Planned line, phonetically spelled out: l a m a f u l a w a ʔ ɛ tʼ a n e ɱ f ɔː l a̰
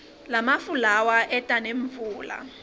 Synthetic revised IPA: l a m a f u l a w a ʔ ɛ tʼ a n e ɱ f uː l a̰